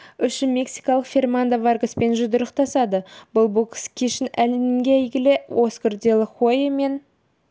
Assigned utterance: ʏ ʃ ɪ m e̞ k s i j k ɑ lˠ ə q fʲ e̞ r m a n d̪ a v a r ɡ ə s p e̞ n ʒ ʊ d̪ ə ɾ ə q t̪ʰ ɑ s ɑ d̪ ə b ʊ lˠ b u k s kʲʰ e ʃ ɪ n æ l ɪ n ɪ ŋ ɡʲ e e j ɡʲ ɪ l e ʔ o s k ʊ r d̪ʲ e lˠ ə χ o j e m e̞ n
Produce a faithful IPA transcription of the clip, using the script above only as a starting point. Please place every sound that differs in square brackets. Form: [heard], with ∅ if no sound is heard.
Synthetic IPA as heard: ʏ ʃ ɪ m e̞ k s i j k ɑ lˠ ə q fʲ e̞ r m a n d̪ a v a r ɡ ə s p e̞ n ʒ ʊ d̪ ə ɾ ə q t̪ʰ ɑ s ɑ d̪ ə b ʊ lˠ b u k s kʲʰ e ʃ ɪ n æ l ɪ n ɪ ŋ ɡʲ e [æ] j ɡʲ ɪ l e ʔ o s k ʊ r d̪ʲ e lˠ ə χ o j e m e̞ n